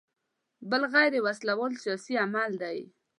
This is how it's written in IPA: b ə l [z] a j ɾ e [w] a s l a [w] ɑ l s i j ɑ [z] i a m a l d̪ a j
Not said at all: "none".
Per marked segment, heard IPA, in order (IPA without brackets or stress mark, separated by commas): ɣ, w, w, s